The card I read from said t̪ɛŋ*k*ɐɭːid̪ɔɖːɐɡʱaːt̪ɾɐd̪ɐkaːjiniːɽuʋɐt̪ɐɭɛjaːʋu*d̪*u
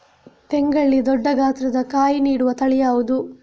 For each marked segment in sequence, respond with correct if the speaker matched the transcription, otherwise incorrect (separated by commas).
incorrect, correct